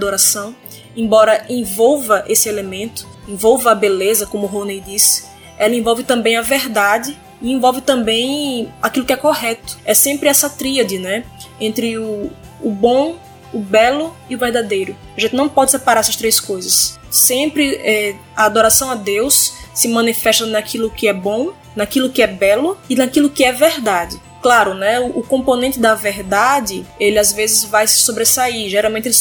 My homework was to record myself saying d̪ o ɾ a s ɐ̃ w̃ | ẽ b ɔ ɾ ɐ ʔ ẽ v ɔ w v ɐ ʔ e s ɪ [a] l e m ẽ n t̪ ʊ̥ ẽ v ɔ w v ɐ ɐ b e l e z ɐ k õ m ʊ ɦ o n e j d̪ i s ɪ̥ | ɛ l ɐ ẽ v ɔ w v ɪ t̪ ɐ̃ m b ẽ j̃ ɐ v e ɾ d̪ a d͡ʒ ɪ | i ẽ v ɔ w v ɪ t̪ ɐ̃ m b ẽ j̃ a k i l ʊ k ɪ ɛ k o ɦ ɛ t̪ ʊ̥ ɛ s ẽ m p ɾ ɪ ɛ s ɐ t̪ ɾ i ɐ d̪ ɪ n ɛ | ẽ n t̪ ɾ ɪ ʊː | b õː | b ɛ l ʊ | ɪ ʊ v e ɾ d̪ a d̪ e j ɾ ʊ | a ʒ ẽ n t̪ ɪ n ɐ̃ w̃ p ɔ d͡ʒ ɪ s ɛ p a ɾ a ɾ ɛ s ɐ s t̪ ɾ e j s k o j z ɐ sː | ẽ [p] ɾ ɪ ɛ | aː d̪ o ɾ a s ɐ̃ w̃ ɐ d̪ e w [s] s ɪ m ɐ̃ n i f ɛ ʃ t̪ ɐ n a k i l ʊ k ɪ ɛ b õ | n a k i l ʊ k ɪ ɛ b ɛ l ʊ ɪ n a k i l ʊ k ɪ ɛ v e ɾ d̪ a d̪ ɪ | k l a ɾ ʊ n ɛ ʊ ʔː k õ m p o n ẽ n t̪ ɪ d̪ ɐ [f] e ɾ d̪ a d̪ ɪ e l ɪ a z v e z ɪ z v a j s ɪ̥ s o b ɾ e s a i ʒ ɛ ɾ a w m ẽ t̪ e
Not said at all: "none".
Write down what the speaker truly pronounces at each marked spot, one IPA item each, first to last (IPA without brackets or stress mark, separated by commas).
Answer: e, p, s, v